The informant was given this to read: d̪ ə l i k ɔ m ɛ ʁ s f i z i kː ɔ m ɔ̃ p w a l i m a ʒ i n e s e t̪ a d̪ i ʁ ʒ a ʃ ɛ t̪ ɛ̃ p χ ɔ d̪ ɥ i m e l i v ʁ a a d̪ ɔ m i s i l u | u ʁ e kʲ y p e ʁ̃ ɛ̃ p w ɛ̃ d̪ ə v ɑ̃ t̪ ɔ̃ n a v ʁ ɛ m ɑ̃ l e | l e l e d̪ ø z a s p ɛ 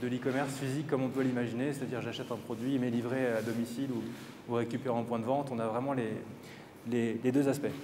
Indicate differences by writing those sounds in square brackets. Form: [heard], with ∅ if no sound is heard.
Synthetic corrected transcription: d̪ ə l i k ɔ m ɛ ʁ s f i z i kː ɔ m ɔ̃ p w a l i m a ʒ i n e s e t̪ a d̪ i ʁ ʒ a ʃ ɛ t̪ ɛ̃ p χ ɔ d̪ ɥ i m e l i v ʁ [e] a d̪ ɔ m i s i l u | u ʁ e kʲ y p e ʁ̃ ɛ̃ p w ɛ̃ d̪ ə v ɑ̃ t̪ ɔ̃ n a v ʁ ɛ m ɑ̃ l e | l e l e d̪ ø z a s p ɛ